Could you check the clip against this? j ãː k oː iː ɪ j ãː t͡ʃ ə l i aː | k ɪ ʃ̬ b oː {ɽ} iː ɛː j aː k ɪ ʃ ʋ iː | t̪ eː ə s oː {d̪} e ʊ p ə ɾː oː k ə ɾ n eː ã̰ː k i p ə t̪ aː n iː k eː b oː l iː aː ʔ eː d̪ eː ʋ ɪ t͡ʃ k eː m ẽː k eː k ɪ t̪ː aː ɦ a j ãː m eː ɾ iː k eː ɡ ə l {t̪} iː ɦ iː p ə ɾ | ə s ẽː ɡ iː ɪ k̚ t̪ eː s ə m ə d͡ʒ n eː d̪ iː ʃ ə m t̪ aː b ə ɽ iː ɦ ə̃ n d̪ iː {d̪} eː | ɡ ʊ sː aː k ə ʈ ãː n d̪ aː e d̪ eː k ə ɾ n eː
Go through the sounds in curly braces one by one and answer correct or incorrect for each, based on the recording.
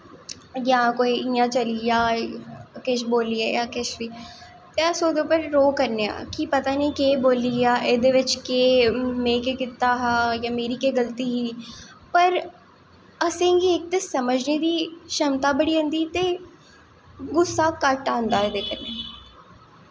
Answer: incorrect, correct, correct, incorrect

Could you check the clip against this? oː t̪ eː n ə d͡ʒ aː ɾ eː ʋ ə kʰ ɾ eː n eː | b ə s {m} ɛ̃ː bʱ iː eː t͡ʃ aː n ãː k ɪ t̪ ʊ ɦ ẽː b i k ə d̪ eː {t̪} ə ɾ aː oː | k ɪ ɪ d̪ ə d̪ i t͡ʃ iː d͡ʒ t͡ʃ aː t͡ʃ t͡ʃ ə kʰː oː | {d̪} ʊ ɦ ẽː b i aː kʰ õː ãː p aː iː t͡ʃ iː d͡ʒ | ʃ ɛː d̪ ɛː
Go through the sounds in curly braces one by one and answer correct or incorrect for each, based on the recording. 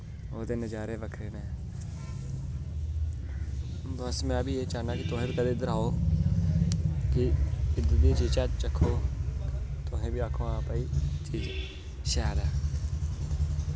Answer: correct, incorrect, incorrect

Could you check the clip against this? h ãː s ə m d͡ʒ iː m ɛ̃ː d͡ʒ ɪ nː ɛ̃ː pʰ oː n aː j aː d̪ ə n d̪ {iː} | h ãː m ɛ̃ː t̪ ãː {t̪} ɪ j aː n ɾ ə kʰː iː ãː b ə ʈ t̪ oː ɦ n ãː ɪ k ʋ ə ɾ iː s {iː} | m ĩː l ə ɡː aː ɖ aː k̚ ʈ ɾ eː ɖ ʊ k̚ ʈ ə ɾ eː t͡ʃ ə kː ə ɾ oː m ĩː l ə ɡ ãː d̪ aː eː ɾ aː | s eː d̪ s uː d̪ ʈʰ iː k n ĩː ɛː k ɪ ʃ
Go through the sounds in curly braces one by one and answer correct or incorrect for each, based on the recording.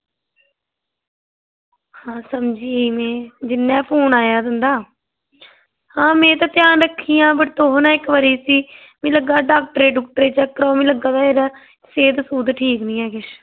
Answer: incorrect, correct, correct

